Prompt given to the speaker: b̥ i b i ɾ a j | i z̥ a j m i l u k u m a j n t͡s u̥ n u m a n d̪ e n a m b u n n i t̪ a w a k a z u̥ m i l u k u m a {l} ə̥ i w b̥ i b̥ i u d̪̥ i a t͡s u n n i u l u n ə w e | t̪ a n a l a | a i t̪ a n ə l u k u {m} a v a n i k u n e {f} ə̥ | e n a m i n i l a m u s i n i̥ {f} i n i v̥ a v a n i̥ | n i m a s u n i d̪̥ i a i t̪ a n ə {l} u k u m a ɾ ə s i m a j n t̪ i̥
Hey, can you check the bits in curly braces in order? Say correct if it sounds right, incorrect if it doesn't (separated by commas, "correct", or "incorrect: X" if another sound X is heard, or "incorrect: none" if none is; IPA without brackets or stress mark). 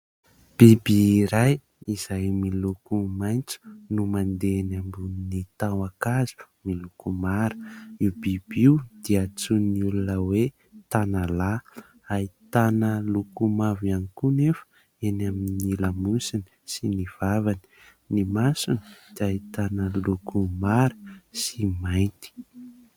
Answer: incorrect: ɾ, correct, correct, incorrect: s, correct